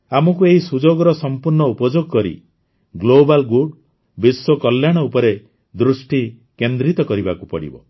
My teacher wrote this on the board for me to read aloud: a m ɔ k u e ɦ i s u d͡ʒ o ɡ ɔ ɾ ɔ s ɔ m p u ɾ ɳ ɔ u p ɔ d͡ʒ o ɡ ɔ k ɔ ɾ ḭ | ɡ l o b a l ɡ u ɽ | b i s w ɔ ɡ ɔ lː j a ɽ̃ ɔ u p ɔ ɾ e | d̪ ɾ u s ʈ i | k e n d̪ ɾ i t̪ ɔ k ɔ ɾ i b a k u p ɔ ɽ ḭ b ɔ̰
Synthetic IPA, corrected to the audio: a m ɔ k u e ɦ i s u d͡ʒ o ɡ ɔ ɾ ɔ s ɔ m p u ɾ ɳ ɔ u p ɔ d͡ʒ o ɡ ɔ k ɔ ɾ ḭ | ɡ l o b a l ɡ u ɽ | b i s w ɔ k ɔ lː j a ɽ̃ ɔ u p ɔ ɾ e | d̪ ɾ u s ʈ i | k e n d̪ ɾ i t̪ ɔ k ɔ ɾ i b a k u p ɔ ɽ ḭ b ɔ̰